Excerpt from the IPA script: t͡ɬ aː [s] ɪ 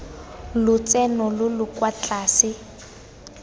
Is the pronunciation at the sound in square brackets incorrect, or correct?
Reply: correct